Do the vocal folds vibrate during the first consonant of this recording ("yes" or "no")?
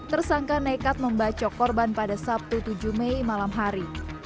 no